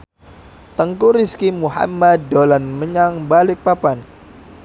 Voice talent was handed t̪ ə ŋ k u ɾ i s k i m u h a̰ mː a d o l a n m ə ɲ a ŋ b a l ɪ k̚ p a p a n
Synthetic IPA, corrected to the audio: t̪ ə ŋ k u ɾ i s k i m u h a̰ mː a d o l a n m ə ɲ a ŋ b a l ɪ k̚ p a p a n